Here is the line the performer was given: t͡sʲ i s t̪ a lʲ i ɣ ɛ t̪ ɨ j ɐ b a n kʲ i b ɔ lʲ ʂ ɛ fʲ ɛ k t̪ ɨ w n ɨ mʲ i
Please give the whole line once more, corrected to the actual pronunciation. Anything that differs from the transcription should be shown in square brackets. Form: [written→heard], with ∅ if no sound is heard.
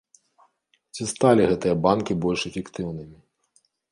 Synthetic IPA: t͡sʲ i s t̪ a lʲ i ɣ ɛ t̪ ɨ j ɐ b a n kʲ i b ɔ lʲ ʂ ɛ fʲ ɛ k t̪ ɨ w n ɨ mʲ i